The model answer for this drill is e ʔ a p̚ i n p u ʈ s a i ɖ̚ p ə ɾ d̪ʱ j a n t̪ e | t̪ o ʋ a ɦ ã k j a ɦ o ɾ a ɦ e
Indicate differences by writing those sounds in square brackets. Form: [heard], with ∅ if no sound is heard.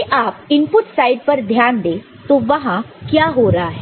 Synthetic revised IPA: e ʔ a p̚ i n p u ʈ s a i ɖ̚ p ə ɾ d̪ʱ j a n [d̪] e | t̪ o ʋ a ɦ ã k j a ɦ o ɾ a ɦ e